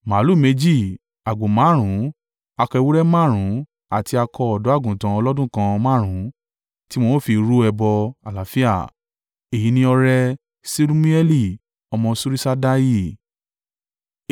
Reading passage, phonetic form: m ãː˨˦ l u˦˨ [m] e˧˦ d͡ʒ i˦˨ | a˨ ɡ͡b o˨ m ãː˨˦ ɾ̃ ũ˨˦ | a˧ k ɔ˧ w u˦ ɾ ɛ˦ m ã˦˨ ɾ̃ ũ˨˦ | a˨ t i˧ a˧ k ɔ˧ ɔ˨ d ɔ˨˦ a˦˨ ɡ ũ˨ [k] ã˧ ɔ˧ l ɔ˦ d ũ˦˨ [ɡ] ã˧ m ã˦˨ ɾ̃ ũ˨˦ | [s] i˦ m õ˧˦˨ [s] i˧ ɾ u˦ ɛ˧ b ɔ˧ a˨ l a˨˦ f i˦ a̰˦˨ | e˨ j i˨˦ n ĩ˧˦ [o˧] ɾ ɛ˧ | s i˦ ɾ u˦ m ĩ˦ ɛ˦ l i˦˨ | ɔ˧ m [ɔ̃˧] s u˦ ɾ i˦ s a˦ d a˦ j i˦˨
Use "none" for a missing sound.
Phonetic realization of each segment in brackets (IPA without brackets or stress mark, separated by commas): m, t, k, t, f, ɔ˧, ɔ̃˧